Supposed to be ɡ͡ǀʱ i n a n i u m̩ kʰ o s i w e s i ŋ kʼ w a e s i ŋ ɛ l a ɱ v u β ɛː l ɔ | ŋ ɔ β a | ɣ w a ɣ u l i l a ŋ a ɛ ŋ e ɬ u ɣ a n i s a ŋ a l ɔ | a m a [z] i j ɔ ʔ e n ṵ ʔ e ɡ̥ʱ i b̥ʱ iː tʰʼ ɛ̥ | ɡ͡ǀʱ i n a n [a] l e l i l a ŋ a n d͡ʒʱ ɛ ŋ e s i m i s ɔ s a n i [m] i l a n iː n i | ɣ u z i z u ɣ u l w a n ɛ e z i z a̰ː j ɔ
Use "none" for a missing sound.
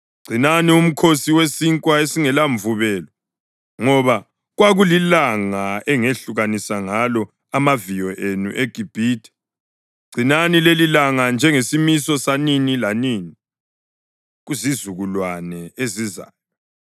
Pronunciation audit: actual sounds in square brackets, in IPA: v, i, n

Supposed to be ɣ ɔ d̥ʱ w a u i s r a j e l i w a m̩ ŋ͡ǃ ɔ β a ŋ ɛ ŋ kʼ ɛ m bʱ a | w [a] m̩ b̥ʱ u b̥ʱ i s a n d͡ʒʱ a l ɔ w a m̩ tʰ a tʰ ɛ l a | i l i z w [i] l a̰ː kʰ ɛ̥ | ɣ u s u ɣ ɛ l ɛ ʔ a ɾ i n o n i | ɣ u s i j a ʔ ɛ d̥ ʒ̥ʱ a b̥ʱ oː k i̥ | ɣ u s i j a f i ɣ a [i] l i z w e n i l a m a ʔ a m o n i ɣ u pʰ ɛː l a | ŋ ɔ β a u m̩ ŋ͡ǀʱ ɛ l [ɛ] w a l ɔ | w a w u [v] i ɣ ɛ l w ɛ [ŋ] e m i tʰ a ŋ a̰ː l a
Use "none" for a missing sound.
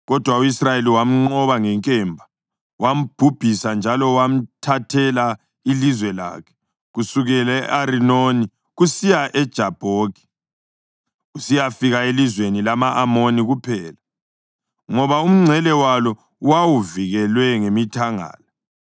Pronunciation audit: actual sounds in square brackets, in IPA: a, ɛ, e, ɛ, v, ŋ

